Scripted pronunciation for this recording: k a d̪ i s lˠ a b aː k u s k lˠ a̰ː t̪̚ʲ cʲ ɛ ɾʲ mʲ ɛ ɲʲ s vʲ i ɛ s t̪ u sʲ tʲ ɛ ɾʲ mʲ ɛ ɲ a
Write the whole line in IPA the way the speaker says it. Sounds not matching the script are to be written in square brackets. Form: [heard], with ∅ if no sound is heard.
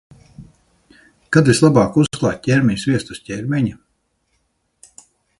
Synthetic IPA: k a d̪ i s lˠ a b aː k u s k lˠ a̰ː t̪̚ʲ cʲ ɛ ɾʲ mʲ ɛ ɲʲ s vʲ i ɛ s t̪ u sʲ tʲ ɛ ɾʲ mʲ ɛ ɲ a

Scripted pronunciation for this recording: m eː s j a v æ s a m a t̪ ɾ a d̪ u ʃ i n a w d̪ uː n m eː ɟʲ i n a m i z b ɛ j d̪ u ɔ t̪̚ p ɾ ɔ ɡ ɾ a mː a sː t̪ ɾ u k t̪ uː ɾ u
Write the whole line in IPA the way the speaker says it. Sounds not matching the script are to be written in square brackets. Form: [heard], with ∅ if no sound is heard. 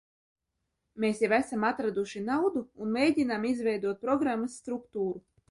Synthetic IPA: m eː s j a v æ s a m a t̪ ɾ a d̪ u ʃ i n a w d̪ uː n m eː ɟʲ i n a m i z [v] ɛ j d̪ u ɔ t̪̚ p ɾ ɔ ɡ ɾ a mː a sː t̪ ɾ u k t̪ uː ɾ u

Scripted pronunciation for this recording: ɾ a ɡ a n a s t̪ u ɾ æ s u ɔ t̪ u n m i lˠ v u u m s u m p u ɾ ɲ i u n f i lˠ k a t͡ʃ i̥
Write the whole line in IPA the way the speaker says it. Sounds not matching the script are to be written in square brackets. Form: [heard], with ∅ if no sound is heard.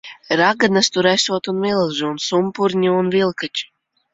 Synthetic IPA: ɾ a ɡ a n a s t̪ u ɾ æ s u ɔ t̪ u n m i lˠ [ʒ] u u [n] s u m p u ɾ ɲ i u n [v] i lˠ k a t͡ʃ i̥

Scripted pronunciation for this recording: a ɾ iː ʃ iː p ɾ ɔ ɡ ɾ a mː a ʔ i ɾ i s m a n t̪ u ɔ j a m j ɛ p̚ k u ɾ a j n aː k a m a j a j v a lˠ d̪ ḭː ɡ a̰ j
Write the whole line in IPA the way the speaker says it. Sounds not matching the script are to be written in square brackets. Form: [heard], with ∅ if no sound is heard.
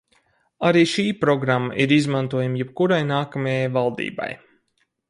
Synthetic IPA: a ɾ iː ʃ iː p ɾ ɔ ɡ ɾ a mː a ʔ i ɾ i [z] m a n t̪ u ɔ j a m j ɛ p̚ k u ɾ a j n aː k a m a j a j v a lˠ d̪ ḭː [b] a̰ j

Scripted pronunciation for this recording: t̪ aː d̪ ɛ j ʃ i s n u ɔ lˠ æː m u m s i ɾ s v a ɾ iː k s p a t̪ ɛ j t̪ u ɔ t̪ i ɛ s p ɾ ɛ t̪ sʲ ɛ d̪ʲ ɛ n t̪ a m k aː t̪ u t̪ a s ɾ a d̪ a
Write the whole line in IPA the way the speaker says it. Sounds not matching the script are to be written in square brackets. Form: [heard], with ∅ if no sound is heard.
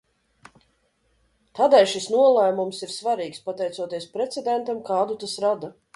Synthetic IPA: t̪ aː d̪ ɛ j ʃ i s n u ɔ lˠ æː m u m s i ɾ s v a ɾ iː k s p a t̪ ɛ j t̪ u ɔ t̪ i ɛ s p ɾ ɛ t̪ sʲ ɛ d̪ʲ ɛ n t̪ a m k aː [d̪] u t̪ a s ɾ a d̪ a

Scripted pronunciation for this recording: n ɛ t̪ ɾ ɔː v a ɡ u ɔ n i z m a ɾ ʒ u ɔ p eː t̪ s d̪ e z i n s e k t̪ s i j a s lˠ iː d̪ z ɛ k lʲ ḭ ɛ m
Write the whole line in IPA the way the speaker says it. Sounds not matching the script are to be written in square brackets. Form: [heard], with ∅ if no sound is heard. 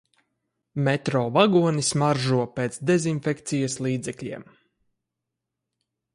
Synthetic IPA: [m] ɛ t̪ ɾ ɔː v a ɡ u ɔ n i [s] m a ɾ ʒ u ɔ p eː t̪ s d̪ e z i n [f] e k t̪ s i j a s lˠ iː d̪ z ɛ k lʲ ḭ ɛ m

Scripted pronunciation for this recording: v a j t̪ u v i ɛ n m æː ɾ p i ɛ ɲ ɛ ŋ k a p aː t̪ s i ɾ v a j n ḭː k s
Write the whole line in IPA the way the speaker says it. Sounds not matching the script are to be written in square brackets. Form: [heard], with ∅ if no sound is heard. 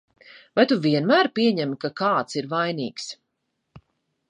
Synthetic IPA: v a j t̪ u v i ɛ n m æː ɾ p i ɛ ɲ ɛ [m] k a [k] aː t̪ s i ɾ v a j n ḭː k s

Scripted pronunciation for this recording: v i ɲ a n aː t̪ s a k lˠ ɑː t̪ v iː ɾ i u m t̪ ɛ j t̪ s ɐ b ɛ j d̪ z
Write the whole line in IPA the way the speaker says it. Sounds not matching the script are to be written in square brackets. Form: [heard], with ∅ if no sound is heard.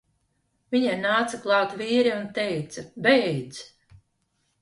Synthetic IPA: v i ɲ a n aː t̪ s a k lˠ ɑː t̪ v iː ɾ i u [n] t̪ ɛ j t̪ s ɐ b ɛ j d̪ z

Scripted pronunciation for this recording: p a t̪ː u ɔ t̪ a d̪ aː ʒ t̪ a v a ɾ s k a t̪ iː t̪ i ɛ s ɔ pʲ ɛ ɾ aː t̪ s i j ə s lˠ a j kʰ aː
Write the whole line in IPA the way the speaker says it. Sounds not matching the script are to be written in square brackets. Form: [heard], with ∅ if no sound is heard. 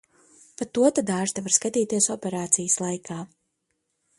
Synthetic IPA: p a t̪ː u ɔ t̪ a d̪ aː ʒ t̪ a v a ɾ s k a t̪ iː t̪ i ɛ s ɔ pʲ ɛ ɾ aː t̪ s i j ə s lˠ a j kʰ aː

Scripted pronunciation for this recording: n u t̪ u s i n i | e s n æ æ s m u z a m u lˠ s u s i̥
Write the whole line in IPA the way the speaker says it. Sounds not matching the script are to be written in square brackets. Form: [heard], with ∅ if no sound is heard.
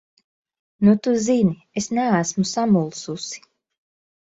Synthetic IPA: n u t̪ u [z] i n i | e s n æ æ s m u [s] a m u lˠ s u s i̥

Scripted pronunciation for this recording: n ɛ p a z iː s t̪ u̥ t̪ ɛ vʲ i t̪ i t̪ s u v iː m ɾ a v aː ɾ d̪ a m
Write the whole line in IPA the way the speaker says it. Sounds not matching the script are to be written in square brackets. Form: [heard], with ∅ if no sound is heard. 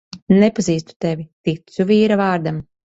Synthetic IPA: n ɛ p a z iː s t̪ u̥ t̪ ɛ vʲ i t̪ i t̪ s u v iː [∅] ɾ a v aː ɾ d̪ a m

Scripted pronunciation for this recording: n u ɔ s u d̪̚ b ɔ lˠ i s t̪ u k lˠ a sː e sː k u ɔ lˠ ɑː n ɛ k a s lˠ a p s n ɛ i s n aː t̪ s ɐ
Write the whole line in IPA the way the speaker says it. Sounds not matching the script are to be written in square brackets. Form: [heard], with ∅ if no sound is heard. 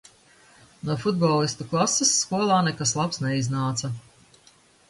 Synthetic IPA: n u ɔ [f] u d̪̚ b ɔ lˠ i s t̪ u k lˠ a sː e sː k u ɔ lˠ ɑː n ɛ k a s lˠ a p s n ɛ i [z] n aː t̪ s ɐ

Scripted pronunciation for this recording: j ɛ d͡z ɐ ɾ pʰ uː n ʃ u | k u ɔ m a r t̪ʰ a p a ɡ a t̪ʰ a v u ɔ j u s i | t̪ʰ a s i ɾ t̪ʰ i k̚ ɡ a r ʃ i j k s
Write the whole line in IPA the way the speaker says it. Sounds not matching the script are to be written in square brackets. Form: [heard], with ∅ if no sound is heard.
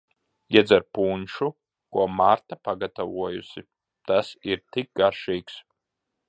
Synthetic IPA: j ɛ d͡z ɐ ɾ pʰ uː n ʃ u | k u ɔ m a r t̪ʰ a p a ɡ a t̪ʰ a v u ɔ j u s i | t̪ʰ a s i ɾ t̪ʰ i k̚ ɡ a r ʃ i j k s

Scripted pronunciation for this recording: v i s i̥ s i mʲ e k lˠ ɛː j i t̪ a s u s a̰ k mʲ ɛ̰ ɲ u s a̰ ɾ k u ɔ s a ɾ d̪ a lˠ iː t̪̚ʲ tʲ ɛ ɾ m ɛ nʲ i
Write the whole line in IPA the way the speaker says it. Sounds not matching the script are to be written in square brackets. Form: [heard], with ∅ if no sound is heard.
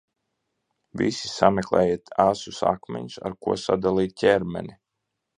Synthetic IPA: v i s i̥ s [a] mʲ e k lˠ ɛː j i t̪ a s u s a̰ k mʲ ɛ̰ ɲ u s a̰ ɾ k u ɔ s a [∅] d̪ a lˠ iː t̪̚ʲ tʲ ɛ ɾ m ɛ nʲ i

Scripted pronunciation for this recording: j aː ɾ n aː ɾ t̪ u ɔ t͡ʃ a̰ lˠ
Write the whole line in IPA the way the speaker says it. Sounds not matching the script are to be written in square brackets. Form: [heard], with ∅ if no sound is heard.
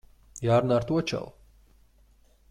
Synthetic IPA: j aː ɾ n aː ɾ t̪ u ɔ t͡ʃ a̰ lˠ

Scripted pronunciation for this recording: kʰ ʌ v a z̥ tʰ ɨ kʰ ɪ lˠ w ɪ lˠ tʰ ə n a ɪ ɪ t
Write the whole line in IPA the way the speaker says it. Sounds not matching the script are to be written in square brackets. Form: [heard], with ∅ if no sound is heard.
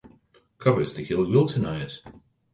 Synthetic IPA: kʰ ʌ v [ə] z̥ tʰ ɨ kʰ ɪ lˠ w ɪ lˠ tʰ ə n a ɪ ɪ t

